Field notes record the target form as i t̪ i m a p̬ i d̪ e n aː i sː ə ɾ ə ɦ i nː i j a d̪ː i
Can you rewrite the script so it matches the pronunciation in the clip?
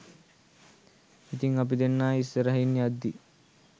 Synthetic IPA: i t̪ i ŋ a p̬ i d̪ e nː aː i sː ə ɾ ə ɦ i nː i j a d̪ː i